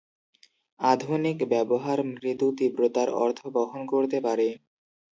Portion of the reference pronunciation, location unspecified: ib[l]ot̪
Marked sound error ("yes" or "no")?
yes